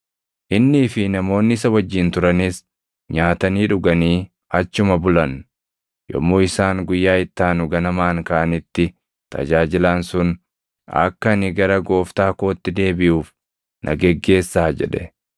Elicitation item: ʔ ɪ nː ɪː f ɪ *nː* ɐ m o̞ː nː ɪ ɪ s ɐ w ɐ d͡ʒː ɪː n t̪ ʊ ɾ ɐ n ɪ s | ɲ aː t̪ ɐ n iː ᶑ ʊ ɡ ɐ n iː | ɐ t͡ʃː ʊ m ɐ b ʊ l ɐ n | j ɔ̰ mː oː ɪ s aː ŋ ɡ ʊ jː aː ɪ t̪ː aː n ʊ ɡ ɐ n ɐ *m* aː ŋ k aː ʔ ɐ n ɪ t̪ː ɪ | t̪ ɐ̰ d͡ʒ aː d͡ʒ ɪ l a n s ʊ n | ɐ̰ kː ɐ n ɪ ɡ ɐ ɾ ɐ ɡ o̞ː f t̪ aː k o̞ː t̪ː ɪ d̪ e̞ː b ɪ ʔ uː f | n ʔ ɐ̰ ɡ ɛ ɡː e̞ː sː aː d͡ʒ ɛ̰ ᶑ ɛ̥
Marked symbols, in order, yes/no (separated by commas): no, yes